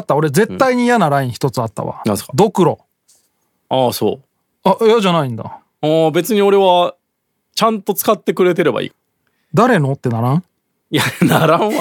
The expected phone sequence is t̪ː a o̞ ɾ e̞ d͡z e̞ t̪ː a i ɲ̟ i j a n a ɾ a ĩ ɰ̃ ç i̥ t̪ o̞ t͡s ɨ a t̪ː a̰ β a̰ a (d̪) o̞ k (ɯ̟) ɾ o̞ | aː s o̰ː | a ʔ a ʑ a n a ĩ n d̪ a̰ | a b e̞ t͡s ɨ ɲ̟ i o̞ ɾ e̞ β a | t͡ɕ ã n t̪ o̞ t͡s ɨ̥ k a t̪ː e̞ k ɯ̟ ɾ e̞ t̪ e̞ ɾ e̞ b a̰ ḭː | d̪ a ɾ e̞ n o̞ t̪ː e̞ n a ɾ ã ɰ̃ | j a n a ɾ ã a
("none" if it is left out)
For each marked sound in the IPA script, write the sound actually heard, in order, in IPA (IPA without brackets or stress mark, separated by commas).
d̪, ɯ̟